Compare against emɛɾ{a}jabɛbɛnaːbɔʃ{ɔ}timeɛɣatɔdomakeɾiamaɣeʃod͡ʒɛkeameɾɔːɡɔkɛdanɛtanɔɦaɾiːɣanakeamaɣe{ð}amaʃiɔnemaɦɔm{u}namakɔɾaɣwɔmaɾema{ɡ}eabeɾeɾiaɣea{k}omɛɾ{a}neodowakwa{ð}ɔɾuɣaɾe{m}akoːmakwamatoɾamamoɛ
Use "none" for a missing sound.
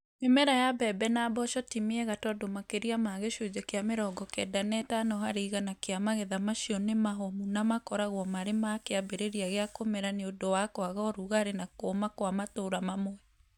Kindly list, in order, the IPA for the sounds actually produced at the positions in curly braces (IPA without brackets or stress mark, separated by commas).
a, ɔ, ð, u, k, k, a, ɣ, n